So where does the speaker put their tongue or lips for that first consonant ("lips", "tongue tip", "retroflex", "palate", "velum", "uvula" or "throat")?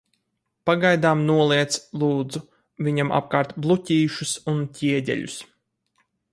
lips